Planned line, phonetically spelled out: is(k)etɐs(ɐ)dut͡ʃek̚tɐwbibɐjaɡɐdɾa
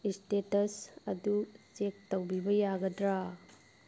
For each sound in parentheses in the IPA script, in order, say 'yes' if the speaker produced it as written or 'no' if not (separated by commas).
no, yes